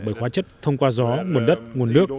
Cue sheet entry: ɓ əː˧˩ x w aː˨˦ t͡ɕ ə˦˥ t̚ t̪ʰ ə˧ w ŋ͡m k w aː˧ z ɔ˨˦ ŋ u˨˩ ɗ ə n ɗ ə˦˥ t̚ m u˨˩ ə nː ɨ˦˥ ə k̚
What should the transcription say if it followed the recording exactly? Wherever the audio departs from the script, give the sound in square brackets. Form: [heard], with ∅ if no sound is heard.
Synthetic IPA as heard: ɓ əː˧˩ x w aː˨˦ t͡ɕ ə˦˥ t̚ t̪ʰ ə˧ w ŋ͡m k w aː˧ z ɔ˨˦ ŋ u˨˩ [∅] ə n ɗ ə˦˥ t̚ [ŋ] u˨˩ ə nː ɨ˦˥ ə k̚